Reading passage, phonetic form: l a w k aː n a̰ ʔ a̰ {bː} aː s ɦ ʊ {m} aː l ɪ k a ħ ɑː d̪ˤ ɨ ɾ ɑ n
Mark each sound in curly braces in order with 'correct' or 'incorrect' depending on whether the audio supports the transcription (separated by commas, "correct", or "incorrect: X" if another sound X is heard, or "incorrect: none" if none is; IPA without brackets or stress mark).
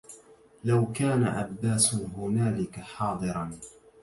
correct, incorrect: n